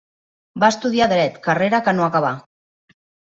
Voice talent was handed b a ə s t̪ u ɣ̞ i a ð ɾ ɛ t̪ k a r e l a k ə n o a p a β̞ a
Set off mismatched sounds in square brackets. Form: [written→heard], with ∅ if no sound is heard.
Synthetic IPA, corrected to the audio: b a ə s t̪ u [ɣ̞→ð̞] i a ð ɾ ɛ t̪ k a r e [l→ɾ] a k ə n o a [p→k] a β̞ a

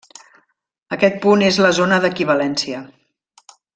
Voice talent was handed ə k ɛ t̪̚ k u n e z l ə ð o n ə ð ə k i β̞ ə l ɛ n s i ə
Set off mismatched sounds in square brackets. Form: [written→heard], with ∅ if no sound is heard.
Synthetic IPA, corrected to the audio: ə k ɛ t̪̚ [k→p] u n e z l ə [ð→z] o n ə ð ə k i β̞ ə l ɛ n s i ə

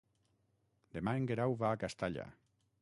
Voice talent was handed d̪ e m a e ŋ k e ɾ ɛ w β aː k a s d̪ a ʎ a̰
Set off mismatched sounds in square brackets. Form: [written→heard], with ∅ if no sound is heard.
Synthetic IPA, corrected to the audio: d̪ e m a e ŋ [k→ɡ] e ɾ [ɛ→a] w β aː k a s [d̪→t̪] a ʎ a̰

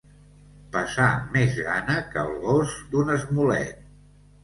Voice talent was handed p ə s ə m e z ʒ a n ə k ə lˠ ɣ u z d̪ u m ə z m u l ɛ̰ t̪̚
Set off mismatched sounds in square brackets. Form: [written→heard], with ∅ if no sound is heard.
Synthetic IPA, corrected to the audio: p ə s [ə→a] m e z [ʒ→ɣ] a n ə k ə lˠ ɣ [u→o] z d̪ u [m→n] ə z m u l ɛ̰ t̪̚

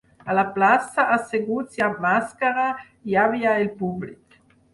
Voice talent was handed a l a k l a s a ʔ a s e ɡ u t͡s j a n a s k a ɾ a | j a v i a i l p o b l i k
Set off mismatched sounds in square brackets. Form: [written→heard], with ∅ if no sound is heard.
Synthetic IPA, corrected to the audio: a l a [k→p] l a s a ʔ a s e ɡ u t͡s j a [n→m] a s k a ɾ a | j a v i a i l p [o→u] b l i k

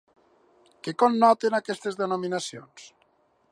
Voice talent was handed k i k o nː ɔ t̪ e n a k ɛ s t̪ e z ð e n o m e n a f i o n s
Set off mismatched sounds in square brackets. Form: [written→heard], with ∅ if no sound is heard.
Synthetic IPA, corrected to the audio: k [i→e] k o nː ɔ t̪ e n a k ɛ s t̪ e z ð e n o m [e→i] n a [f→s] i o n s

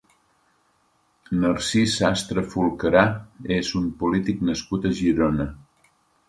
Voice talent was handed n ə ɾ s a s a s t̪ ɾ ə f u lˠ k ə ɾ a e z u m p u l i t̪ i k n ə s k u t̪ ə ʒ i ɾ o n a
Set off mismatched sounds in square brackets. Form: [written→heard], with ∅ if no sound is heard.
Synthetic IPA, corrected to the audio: n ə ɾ s [a→i] s a s t̪ ɾ ə f u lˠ k ə ɾ a e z u m p u l i t̪ i k n ə s k u t̪ ə ʒ i ɾ o n [a→ə]

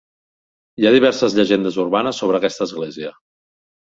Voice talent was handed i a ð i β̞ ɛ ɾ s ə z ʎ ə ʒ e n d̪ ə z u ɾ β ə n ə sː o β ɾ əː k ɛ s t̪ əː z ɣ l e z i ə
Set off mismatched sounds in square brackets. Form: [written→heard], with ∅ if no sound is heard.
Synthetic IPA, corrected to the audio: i a ð i β̞ ɛ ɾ s ə z ʎ ə ʒ e n d̪ ə z u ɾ β [ə→a] n ə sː o β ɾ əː k ɛ s t̪ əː z ɣ l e z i ə

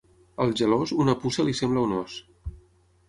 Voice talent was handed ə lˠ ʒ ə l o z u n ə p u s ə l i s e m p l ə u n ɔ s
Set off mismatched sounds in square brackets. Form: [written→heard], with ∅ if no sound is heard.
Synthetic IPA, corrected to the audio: ə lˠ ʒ ə l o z u n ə p u s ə l i s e m [p→b] l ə u n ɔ s

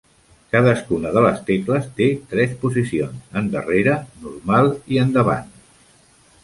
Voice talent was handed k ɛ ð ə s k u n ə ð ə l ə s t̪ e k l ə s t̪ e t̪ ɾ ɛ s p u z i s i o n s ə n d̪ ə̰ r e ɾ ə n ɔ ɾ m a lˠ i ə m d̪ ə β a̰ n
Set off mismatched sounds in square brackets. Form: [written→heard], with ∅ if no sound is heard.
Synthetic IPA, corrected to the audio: k [ɛ→a] ð ə s k u n ə ð ə l ə s t̪ e k l ə s t̪ e t̪ ɾ ɛ s p u z i s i o n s ə n d̪ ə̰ r e ɾ ə n [ɔ→u] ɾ m a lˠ i ə [m→n] d̪ ə β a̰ n

